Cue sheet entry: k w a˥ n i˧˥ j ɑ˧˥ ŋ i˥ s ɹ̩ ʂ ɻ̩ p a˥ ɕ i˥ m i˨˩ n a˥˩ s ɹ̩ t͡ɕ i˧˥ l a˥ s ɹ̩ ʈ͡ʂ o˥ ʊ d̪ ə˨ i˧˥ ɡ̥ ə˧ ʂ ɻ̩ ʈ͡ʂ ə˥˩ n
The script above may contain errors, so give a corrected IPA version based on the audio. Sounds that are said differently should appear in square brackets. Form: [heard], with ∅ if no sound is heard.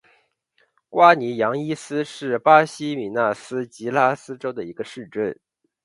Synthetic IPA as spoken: k w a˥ n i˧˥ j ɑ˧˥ ŋ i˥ s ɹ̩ ʂ ɻ̩ p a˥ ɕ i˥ m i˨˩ n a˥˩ s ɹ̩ t͡ɕ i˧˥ l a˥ s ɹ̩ ʈ͡ʂ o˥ ʊ d̪ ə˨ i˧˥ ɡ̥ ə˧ ʂ ɻ̩ ʈ͡ʂ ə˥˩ n

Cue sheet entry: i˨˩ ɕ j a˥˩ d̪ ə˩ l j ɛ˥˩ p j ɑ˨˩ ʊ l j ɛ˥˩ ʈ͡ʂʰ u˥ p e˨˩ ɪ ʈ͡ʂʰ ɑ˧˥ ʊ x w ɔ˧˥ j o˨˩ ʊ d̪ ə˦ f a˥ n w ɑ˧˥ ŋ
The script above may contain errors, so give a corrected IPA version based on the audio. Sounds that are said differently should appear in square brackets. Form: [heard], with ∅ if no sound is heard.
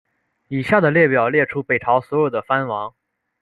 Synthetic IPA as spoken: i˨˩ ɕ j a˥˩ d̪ ə˩ l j ɛ˥˩ p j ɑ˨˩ ʊ l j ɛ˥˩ ʈ͡ʂʰ u˥ p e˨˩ ɪ ʈ͡ʂʰ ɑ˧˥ ʊ [s] w ɔ˧˥ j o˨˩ ʊ d̪ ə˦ f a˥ n w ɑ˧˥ ŋ

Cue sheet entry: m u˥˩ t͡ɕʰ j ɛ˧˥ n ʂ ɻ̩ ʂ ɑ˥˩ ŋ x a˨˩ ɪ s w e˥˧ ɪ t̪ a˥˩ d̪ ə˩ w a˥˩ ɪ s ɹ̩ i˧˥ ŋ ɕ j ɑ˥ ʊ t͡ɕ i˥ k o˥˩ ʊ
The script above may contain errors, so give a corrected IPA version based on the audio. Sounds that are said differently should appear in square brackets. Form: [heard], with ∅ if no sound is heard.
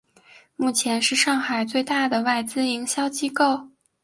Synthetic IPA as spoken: m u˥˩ t͡ɕʰ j ɛ˧˥ n ʂ ɻ̩ ʂ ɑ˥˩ ŋ x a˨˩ ɪ [t͡s] w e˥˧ ɪ t̪ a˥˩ d̪ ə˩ w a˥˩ ɪ [t͡s] ɹ̩ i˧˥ ŋ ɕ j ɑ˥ ʊ t͡ɕ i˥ k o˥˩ ʊ

